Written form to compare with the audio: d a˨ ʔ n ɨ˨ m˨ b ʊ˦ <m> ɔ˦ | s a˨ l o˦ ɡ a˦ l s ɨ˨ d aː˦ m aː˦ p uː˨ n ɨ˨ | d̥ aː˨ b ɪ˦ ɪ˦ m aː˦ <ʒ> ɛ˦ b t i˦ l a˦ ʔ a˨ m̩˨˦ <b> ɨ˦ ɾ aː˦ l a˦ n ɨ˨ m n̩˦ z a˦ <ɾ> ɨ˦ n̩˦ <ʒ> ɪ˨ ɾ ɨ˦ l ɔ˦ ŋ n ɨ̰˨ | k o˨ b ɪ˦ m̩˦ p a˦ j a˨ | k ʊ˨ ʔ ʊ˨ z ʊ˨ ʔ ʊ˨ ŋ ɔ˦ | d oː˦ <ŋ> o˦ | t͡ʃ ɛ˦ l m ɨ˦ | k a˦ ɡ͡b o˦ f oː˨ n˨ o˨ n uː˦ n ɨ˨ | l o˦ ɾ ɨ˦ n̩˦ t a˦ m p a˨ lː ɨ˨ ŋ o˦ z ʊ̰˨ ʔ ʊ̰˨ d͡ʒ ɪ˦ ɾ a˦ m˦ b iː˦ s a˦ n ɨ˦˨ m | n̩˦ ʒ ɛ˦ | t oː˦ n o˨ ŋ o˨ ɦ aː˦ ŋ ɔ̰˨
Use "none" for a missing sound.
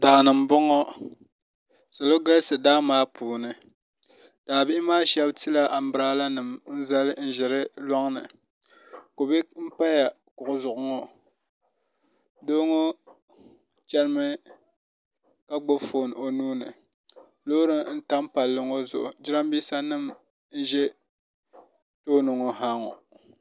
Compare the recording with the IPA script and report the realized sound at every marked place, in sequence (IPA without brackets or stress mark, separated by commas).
ŋ, ʃ, b, l, ʒ, ŋ